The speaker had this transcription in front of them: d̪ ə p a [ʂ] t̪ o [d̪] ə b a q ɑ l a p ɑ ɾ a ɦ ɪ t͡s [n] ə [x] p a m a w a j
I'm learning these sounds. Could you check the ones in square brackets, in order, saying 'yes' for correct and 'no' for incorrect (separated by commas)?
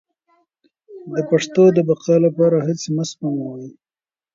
yes, yes, no, no